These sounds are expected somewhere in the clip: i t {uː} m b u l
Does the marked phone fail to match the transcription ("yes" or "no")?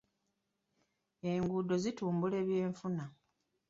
no